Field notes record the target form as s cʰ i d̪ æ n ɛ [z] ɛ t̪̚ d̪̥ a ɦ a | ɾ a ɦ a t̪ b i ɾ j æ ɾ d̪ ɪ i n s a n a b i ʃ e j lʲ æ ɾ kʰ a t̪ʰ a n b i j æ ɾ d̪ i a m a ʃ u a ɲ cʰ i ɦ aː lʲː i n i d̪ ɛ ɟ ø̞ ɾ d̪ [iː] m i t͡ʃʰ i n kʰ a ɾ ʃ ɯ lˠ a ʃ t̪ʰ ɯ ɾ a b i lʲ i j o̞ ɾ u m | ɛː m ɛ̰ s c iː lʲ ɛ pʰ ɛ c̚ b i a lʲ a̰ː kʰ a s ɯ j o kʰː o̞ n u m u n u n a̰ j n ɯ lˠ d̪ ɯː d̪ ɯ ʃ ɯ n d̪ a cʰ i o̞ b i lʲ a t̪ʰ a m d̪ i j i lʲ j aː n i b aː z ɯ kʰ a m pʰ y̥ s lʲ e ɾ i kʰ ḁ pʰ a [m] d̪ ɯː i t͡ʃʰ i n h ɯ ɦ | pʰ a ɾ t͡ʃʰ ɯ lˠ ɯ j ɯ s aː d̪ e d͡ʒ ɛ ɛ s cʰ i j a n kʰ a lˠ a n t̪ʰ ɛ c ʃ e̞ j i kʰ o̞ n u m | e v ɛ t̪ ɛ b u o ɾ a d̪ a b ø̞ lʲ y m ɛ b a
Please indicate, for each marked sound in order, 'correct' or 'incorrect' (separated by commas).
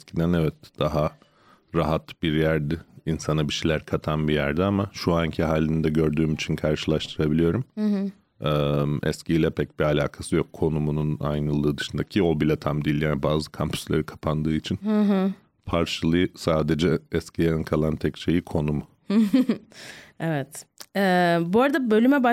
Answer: incorrect, incorrect, incorrect